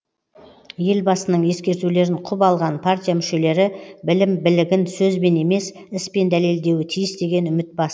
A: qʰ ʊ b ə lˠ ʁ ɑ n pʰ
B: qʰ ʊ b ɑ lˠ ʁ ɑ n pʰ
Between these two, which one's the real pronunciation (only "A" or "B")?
B